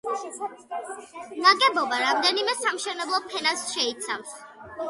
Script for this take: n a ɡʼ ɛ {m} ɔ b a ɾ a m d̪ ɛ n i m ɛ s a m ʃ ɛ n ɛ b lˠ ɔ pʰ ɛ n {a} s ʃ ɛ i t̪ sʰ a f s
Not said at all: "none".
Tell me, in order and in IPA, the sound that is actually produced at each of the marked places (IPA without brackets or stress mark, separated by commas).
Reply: b, a